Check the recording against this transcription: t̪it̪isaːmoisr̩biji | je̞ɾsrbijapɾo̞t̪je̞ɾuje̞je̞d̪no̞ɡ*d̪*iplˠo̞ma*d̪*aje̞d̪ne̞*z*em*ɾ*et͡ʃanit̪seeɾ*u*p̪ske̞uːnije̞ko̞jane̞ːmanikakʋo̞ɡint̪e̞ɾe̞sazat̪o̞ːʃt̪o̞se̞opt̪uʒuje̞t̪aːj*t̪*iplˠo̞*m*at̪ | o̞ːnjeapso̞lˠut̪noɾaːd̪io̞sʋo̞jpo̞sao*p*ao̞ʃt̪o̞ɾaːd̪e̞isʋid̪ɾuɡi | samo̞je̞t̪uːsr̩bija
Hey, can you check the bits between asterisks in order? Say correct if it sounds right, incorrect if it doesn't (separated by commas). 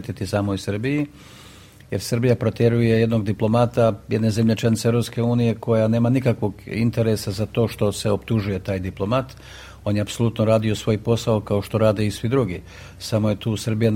correct, incorrect, correct, incorrect, incorrect, incorrect, correct, incorrect